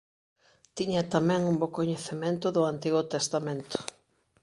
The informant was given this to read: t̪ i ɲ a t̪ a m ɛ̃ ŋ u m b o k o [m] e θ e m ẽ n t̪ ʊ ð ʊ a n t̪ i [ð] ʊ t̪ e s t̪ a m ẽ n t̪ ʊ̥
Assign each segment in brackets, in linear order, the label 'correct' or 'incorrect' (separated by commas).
incorrect, incorrect